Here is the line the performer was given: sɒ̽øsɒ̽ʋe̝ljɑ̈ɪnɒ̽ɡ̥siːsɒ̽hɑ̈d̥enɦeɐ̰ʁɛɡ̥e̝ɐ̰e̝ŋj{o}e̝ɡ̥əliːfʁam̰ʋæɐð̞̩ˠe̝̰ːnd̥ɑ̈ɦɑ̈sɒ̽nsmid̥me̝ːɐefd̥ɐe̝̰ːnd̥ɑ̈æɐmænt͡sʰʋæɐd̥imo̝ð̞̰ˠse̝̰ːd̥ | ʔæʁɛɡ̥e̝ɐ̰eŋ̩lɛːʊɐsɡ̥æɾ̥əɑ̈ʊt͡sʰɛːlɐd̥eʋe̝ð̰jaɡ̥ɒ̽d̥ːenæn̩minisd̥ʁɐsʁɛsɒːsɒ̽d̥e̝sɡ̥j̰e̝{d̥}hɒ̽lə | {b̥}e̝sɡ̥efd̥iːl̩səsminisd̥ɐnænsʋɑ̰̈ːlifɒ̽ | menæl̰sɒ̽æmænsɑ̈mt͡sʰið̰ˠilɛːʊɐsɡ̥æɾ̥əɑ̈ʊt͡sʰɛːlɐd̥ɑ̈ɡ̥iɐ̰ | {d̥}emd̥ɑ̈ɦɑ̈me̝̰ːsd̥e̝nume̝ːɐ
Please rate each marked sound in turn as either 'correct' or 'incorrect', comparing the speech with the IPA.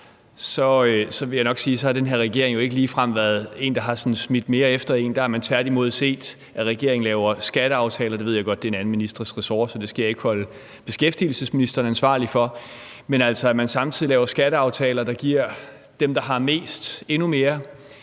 correct, incorrect: ɡ̥, correct, correct

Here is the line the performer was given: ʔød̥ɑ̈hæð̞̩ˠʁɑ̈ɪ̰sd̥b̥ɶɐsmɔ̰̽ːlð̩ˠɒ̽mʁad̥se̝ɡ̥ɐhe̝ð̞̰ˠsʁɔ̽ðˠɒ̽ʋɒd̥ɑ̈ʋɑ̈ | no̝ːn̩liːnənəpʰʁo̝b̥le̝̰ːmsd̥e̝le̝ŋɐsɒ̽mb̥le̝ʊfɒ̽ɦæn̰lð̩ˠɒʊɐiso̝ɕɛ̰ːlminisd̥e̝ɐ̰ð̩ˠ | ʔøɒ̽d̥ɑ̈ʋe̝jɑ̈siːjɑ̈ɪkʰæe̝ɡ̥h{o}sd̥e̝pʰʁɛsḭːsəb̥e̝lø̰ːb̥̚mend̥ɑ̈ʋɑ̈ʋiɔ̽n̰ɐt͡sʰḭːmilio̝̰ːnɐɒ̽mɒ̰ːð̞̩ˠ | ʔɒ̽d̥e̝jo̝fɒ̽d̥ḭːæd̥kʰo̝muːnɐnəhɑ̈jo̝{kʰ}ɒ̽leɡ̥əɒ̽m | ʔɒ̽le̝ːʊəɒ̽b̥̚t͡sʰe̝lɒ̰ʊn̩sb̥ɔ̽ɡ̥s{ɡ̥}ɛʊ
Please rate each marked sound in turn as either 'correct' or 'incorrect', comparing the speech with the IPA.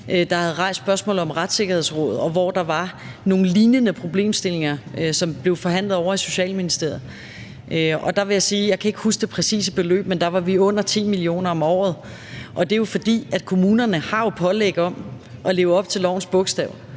incorrect: u, incorrect: pʰ, incorrect: d̥

